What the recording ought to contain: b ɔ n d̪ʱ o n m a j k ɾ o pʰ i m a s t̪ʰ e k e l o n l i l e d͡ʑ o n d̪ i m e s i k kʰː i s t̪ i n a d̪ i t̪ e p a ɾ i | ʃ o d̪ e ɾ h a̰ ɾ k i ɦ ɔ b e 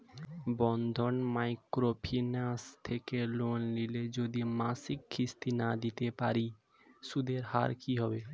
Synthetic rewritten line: b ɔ n d̪ʱ o n m a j k ɾ o pʰ i n a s t̪ʰ e k e l o n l i l e d͡ʑ o d̪ i m a s i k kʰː i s t̪ i n a d̪ i t̪ e p a ɾ i | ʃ u d̪ e ɾ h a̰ ɾ k i ɦ ɔ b e

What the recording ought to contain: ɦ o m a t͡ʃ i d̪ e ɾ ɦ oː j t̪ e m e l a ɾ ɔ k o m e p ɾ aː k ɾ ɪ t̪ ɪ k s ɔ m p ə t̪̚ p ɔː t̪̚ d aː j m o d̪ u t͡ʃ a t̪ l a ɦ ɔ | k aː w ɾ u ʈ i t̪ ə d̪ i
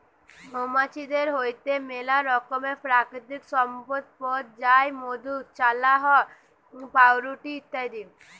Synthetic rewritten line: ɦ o m a t͡ʃ i d̪ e ɾ ɦ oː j t̪ e m e l a ɾ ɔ k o m e p ɾ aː k ɾ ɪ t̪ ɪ k s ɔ m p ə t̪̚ p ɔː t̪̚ d͡ʒ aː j m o d̪ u t͡ʃ a l a ɦ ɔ | p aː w ɾ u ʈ i t̪ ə d̪ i

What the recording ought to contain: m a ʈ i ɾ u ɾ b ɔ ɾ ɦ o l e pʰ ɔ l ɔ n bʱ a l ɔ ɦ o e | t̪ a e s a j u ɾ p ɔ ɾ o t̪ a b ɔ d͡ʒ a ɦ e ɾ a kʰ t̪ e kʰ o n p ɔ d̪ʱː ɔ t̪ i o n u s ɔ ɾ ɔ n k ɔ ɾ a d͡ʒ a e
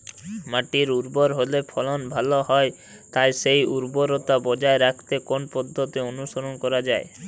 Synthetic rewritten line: m a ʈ i ɾ u ɾ b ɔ ɾ ɦ o l e pʰ ɔ l ɔ n bʱ a l ɔ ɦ ɔ e | t̪ a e s e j u ɾ b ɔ ɾ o t̪ a b ɔ d͡ʒ a e ɾ a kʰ t̪ e k o n p ɔ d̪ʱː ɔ t̪ i o n u s ɔ ɾ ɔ n k ɔ ɾ a d͡ʒ a e

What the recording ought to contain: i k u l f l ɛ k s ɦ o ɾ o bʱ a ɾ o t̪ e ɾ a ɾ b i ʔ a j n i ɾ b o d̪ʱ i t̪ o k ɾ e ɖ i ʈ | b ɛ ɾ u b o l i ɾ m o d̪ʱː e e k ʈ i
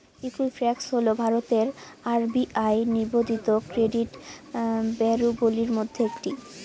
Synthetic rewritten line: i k u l f ɾ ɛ k s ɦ o l o bʱ a ɾ o t̪ e ɾ a ɾ b i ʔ a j n i ɾ b o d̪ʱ i t̪ o k ɾ e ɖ i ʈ | b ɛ ɾ u b o l i ɾ m o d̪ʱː e e k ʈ i

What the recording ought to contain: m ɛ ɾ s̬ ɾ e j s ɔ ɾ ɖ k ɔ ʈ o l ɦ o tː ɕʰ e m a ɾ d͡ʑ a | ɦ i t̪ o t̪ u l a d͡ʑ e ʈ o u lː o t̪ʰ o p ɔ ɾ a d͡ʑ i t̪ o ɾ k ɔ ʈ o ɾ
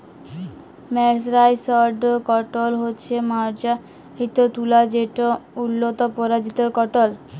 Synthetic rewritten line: m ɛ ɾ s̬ ɾ a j s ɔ ɾ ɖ k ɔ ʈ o l ɦ o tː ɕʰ e m a ɾ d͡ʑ a | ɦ i t̪ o t̪ u l a d͡ʑ e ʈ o u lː o t̪ o p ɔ ɾ a d͡ʑ i t̪ o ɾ k ɔ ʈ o l

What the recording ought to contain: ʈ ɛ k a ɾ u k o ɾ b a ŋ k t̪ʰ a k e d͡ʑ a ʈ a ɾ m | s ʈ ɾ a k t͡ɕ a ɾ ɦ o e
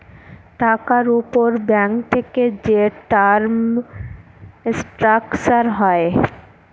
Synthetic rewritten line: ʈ a k a ɾ u p o ɾ b ɛ ŋ k t̪ʰ e k e d͡ʑ e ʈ a ɾ m | s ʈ ɾ a k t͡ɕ a ɾ ɦ ɔ e

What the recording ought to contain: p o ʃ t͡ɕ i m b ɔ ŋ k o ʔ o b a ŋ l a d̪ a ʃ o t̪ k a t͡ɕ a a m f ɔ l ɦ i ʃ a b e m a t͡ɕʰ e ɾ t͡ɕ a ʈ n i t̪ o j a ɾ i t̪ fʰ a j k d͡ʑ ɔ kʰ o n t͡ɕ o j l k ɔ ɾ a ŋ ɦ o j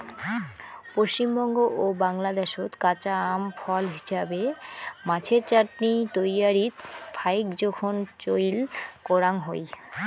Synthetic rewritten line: p o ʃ t͡ɕ i m b ɔ ŋ ɡ o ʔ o b a ŋ l a d̪ e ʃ o t̪ k a t͡ɕ a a m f ɔ l ɦ i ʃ a b e m a t͡ɕʰ e ɾ t͡ɕ a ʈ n i t̪ o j a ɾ i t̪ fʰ a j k d͡ʑ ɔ kʰ o n t͡ɕ o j l k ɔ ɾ a ŋ ɦ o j

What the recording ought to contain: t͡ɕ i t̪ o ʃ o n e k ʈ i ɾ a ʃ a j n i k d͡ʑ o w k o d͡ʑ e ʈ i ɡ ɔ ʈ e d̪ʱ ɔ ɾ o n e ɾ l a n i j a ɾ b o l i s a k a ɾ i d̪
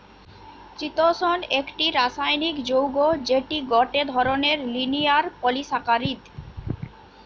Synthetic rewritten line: t͡ɕ i t̪ o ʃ o n e k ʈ i ɾ a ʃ a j n i k d͡ʑ o w ɡ o d͡ʑ e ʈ i ɡ ɔ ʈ e d̪ʱ ɔ ɾ o n e ɾ l i n i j a ɾ p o l i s a k a ɾ i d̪

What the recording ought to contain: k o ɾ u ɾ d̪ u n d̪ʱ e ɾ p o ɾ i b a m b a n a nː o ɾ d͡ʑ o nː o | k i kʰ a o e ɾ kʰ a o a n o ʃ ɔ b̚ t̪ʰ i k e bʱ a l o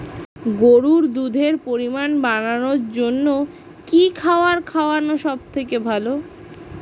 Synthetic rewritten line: ɡ o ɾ u ɾ d̪ u d̪ʱ e ɾ p o ɾ i m a n b a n a n o ɾ d͡ʑ o nː o | k i kʰ a o a ɾ kʰ a o a n o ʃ ɔ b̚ t̪ʰ e k e bʱ a l o

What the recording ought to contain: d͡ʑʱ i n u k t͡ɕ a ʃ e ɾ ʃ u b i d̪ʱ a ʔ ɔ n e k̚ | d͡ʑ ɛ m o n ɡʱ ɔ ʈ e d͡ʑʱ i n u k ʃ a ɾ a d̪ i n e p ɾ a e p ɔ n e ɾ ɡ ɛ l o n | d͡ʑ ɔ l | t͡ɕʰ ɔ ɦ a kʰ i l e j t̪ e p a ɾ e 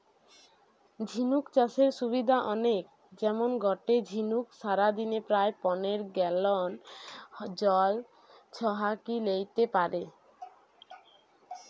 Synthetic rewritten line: d͡ʑʱ i n u k t͡ɕ a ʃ e ɾ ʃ u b i d̪ʱ a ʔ ɔ n e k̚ | d͡ʑ ɛ m o n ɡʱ ɔ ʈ e d͡ʑʱ i n u k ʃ a ɾ a d̪ i n e p ɾ a e p ɔ n e ɾ ɡ ɛ l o n | d͡ʑ ɔ l | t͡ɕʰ ɔ ɦ a k i l e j t̪ e p a ɾ e

